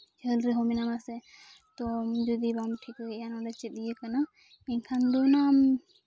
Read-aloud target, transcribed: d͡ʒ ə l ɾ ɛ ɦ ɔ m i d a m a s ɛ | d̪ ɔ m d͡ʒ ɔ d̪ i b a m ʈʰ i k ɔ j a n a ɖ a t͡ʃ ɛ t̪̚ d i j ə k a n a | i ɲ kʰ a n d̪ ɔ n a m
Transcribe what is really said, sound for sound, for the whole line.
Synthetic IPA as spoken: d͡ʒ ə l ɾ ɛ ɦ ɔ m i n a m a s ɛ | t̪ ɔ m d͡ʒ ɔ d̪ i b a m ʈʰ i k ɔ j a n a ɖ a t͡ʃ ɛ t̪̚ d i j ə k a n a | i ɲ kʰ a n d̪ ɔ n a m